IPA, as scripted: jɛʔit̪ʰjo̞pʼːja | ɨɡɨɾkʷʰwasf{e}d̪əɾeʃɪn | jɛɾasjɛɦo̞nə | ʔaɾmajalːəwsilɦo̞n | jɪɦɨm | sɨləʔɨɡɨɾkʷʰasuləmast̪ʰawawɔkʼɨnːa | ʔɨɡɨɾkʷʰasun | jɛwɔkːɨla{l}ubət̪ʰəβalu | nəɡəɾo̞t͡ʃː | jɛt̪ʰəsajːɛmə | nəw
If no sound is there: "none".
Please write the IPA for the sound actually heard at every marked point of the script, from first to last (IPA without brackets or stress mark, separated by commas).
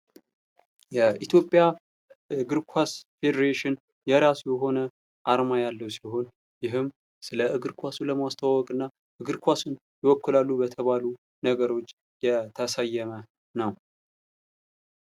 e, lː